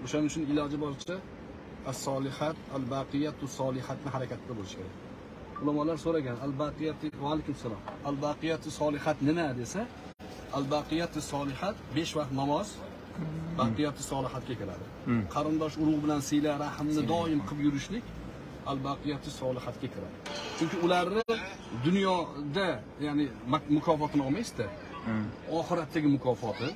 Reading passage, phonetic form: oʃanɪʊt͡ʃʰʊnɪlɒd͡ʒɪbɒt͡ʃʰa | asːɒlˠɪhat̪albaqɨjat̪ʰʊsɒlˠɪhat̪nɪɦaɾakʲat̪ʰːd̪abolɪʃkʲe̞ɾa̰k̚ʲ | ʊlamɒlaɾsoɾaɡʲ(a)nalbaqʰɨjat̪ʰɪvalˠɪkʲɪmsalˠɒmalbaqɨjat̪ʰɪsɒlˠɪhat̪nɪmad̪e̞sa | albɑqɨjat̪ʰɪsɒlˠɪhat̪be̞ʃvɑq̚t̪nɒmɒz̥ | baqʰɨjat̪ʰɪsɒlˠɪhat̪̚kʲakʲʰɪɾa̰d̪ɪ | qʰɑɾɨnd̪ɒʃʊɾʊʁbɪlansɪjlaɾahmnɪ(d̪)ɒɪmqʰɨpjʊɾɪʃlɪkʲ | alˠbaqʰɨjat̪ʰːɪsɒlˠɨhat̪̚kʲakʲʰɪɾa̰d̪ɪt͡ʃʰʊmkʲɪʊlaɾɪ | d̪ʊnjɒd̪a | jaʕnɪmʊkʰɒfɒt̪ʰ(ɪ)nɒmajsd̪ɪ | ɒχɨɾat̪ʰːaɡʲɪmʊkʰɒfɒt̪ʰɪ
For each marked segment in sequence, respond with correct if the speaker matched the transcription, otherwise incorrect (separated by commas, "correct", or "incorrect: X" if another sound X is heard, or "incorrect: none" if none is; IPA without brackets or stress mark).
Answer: correct, correct, correct